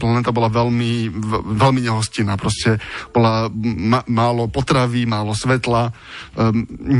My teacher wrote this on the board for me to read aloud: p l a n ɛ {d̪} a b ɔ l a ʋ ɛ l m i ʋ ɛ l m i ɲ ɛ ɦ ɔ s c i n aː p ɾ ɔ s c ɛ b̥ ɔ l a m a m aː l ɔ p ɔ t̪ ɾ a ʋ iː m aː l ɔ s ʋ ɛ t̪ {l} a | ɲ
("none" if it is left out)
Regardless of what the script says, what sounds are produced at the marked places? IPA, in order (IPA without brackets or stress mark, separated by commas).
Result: t̪, l